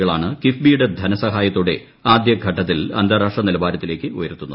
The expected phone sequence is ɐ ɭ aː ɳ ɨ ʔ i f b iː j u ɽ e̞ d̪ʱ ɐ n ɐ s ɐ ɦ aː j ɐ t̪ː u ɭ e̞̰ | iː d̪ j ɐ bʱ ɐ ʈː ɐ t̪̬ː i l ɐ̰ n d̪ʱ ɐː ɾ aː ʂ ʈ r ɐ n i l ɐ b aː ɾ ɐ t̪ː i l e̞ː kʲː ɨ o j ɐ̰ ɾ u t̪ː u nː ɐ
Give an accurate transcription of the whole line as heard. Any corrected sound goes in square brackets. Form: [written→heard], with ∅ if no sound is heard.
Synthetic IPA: ɐ ɭ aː ɳ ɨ [ʔ→k] i f b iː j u ɽ e̞ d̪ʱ ɐ n ɐ s ɐ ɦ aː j ɐ t̪ː u [ɭ→ɽ] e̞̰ | [iː→aː] d̪ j ɐ [bʱ→ɡʱ] ɐ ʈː ɐ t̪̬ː i l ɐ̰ n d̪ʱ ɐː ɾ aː ʂ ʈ r ɐ n i l ɐ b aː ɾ ɐ t̪ː i l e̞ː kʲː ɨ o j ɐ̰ ɾ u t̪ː u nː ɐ